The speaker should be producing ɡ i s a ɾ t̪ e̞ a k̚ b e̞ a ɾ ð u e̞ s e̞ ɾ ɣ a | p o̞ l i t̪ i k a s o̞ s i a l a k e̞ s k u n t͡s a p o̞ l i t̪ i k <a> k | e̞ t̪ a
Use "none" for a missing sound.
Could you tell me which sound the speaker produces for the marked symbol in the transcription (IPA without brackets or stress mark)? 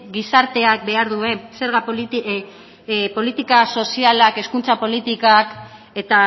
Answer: a